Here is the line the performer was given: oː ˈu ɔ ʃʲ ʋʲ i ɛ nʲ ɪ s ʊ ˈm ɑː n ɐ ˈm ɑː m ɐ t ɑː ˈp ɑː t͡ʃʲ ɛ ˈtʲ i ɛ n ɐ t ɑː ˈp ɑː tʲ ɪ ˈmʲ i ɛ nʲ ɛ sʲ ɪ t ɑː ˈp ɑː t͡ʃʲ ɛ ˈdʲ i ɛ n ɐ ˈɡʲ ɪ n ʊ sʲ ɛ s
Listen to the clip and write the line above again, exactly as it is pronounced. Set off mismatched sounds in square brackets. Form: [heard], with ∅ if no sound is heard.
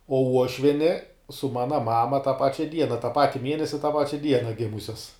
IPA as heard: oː ˈu ɔ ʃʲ ʋʲ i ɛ nʲ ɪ s ʊ ˈm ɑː n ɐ ˈm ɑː m ɐ t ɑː ˈp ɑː t͡ʃʲ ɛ [ˈdʲ] i ɛ n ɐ t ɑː ˈp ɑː tʲ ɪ ˈmʲ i ɛ nʲ ɛ sʲ ɪ t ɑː ˈp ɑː t͡ʃʲ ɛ ˈdʲ i ɛ n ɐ ˈɡʲ ɪ [m] ʊ sʲ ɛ s